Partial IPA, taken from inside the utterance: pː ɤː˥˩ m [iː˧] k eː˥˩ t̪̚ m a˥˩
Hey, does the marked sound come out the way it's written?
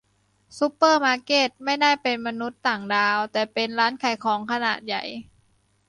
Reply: no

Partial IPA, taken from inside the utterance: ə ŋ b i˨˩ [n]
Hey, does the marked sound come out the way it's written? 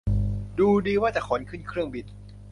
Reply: yes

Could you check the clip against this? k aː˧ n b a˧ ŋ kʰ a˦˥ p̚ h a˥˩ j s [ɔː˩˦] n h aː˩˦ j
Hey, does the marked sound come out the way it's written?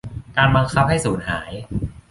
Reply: no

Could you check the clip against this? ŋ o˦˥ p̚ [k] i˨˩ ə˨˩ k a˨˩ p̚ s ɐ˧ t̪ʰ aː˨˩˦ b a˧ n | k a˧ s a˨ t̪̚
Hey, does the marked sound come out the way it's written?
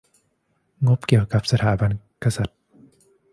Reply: yes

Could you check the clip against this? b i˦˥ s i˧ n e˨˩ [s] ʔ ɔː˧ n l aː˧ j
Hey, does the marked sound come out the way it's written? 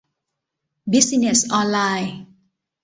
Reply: yes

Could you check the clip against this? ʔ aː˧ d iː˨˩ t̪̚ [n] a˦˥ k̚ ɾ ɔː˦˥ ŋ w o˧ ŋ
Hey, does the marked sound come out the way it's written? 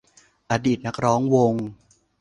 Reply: yes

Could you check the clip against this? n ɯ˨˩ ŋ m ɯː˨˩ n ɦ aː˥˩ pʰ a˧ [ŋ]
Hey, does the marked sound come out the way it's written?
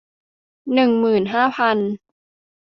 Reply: no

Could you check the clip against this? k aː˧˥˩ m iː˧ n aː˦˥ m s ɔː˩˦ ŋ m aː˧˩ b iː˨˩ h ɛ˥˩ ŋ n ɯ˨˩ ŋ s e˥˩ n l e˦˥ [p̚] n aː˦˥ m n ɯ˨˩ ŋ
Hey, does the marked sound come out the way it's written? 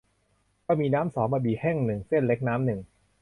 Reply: no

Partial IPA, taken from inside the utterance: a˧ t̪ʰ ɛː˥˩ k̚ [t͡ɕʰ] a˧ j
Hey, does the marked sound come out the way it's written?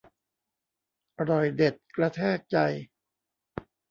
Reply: no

